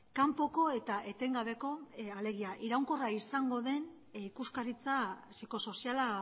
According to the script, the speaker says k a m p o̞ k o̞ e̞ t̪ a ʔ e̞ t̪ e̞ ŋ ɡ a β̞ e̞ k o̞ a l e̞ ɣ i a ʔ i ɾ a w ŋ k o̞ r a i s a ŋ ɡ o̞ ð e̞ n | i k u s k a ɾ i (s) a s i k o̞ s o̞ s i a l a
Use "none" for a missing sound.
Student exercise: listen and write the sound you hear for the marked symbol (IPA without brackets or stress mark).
t͡s